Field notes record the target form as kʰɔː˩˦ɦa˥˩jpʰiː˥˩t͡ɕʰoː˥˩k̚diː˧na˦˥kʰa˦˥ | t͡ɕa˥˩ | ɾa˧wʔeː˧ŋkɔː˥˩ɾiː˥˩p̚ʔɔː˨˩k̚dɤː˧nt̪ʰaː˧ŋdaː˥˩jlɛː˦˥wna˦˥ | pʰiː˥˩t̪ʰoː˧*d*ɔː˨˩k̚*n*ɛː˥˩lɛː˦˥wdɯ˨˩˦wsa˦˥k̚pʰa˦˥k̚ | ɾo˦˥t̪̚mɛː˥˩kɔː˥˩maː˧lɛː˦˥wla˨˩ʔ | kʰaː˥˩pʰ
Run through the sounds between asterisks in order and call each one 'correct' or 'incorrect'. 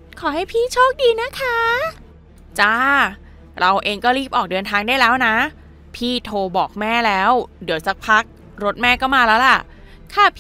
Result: incorrect, incorrect

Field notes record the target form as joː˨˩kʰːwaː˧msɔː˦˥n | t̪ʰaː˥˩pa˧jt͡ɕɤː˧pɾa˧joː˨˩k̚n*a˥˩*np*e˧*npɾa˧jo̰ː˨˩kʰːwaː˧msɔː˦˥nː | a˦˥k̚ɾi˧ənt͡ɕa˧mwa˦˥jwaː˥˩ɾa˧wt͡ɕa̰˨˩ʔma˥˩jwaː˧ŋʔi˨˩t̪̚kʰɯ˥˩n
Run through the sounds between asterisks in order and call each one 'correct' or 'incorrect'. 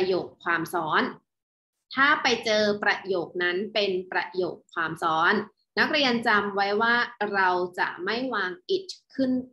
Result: incorrect, correct

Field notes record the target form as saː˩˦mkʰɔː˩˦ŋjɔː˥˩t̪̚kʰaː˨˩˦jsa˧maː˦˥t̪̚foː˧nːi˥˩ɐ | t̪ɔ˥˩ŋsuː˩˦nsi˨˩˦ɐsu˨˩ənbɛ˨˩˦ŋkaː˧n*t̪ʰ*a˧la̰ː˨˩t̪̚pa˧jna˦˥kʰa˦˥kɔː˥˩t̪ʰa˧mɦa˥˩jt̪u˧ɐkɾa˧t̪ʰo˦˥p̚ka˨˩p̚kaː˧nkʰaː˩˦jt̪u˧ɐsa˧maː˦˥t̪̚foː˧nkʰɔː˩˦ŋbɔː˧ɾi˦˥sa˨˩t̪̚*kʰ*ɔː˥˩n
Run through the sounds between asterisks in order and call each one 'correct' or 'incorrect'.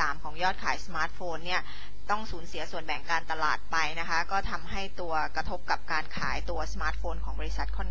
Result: incorrect, correct

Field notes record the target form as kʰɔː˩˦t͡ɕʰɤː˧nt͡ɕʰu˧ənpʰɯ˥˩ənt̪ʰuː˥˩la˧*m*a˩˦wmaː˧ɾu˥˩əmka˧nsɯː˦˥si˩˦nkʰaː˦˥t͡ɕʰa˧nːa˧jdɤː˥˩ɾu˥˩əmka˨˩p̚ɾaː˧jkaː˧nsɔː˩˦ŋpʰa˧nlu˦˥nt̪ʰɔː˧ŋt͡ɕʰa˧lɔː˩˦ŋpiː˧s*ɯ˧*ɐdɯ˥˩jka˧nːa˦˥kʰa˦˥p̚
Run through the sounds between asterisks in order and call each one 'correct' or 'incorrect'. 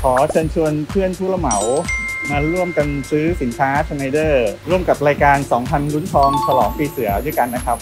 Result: correct, incorrect

